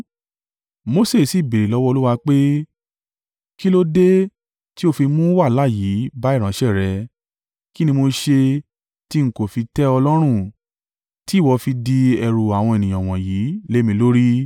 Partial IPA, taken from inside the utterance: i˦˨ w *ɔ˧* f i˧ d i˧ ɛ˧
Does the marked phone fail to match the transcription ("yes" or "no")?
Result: no